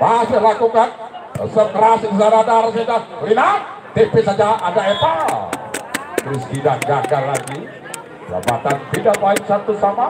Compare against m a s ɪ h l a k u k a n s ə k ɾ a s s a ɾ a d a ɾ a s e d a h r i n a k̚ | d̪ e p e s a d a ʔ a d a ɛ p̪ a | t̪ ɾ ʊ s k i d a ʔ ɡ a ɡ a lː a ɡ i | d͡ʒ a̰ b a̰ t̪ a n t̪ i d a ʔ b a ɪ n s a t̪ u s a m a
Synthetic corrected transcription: m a s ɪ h l a k u k a n s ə k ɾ a s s a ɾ a d a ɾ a s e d a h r i n a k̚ | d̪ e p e s a d͡ʒ a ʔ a d a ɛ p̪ a | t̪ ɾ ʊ s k i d a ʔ ɡ a ɡ a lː a ɡ i | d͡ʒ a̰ b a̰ t̪ a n t̪ i d a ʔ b a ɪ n s a t̪ u s a m a